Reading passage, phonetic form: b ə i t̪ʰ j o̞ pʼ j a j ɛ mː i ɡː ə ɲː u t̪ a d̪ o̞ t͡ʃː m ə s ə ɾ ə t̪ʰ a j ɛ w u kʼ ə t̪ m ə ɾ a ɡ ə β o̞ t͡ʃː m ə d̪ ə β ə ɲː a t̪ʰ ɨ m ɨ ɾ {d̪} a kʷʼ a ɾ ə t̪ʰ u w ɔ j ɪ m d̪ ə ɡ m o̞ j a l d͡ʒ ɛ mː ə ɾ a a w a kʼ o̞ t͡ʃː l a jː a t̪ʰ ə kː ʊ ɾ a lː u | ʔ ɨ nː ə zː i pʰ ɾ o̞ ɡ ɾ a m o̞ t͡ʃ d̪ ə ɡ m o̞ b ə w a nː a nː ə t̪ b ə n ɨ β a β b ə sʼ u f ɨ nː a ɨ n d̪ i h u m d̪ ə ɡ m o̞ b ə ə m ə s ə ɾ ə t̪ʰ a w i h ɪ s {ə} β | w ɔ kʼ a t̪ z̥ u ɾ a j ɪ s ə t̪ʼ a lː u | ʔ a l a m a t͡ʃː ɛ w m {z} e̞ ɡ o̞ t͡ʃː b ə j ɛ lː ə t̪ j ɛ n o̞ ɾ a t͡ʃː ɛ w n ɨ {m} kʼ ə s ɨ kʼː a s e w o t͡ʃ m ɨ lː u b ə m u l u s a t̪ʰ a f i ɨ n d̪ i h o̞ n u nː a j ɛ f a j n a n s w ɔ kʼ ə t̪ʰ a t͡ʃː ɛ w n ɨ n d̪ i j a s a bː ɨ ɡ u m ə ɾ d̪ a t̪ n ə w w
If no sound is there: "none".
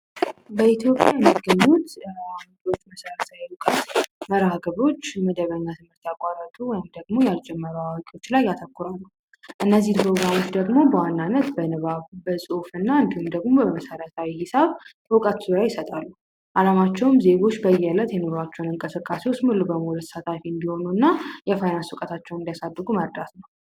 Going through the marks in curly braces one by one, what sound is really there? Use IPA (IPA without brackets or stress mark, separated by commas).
t̪, a, z, ŋ